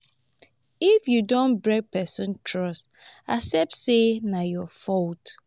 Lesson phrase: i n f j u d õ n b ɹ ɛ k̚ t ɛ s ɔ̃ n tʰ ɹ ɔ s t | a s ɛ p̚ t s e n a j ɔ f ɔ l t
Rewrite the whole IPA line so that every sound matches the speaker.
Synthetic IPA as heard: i f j u d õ n b ɹ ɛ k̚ p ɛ s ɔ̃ n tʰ ɹ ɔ s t | a s ɛ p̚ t s e n a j ɔ f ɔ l t